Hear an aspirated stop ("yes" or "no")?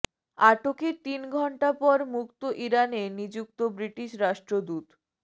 no